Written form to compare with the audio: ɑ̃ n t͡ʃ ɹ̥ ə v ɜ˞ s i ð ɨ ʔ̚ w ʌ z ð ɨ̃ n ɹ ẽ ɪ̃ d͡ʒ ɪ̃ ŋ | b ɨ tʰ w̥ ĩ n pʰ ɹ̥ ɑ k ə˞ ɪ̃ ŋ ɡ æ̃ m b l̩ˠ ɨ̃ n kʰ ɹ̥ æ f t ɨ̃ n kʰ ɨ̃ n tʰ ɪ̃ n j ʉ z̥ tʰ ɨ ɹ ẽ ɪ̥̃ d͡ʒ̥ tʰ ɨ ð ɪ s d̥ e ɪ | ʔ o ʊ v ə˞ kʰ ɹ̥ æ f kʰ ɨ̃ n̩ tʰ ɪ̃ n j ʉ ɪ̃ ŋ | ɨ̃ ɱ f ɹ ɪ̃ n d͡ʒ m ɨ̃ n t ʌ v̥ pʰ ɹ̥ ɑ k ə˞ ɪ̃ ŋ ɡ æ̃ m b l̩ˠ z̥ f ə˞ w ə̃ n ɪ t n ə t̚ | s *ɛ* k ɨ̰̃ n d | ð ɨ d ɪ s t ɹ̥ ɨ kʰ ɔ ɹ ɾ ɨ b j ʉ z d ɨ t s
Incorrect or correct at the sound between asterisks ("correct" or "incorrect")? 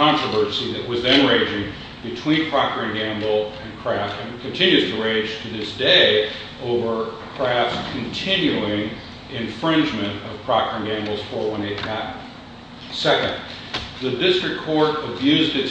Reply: correct